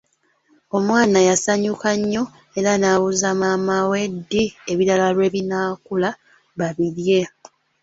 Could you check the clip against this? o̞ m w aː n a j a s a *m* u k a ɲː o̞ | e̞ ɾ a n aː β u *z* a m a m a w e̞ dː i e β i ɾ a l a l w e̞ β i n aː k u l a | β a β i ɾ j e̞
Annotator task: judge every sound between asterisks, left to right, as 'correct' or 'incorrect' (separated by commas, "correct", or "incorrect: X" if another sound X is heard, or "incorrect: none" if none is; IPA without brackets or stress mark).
incorrect: ɲ, correct